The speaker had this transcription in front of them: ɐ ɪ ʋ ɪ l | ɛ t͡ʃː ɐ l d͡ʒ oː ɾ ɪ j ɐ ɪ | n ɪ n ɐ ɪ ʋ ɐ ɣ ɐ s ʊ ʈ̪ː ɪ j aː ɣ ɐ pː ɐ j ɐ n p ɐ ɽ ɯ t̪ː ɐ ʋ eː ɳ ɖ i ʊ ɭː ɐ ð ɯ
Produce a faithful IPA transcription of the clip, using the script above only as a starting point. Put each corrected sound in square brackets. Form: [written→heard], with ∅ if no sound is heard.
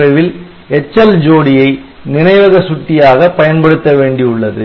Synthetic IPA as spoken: ɐ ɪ ʋ ɪ l | ɛ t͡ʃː ɐ l d͡ʒ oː [ɾ→ɽ] ɪ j ɐ ɪ | n ɪ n ɐ ɪ ʋ ɐ ɣ ɐ s ʊ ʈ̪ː ɪ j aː ɣ ɐ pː ɐ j ɐ n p ɐ ɽ ɯ t̪ː ɐ ʋ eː ɳ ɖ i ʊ ɭː ɐ ð ɯ